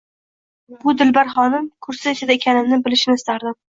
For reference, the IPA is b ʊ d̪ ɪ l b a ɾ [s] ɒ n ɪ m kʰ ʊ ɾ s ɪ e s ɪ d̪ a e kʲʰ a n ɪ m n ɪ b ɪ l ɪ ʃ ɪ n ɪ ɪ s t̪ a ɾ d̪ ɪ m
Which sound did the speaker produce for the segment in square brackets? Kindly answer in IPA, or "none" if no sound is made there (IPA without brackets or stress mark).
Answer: χ